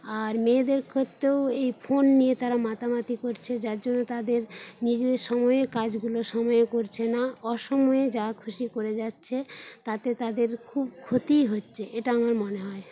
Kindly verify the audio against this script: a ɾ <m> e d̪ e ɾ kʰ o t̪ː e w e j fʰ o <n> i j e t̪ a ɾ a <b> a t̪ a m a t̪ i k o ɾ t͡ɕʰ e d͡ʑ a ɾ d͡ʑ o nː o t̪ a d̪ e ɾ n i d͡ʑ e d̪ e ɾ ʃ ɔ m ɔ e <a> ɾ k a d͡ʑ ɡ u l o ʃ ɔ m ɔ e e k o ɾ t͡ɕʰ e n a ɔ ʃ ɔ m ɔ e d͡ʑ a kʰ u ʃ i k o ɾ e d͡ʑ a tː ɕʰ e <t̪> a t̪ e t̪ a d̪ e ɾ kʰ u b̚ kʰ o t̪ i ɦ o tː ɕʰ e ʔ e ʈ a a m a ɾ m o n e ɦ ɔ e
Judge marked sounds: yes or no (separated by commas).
yes, no, no, no, yes